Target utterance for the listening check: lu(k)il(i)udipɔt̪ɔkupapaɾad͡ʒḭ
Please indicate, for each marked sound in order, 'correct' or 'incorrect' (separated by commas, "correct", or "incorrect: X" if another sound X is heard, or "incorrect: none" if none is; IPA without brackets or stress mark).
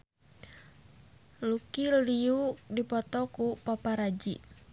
correct, correct